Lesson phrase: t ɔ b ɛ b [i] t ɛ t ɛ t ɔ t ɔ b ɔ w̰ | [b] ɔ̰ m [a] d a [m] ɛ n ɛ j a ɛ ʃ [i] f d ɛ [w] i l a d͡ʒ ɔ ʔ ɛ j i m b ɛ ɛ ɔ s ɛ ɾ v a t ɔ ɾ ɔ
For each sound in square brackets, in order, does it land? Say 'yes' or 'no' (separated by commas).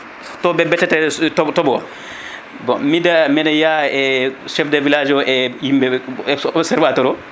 no, yes, no, yes, no, no